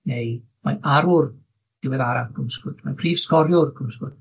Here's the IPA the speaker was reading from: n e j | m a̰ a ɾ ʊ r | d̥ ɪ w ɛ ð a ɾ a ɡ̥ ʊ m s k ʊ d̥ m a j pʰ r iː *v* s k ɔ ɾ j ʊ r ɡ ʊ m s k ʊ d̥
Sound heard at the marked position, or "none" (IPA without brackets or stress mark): v